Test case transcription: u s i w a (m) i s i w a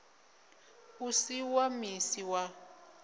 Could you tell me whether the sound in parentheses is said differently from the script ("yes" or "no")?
no